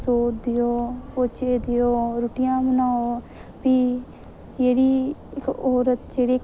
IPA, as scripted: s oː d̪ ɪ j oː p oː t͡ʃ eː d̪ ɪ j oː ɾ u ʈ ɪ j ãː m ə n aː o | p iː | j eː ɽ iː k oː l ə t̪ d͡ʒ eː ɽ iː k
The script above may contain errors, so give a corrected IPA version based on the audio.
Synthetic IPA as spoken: s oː d̪ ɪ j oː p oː t͡ʃ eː d̪ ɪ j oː ɾ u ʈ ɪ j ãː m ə n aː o | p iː | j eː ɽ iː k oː ɾ ə t̪ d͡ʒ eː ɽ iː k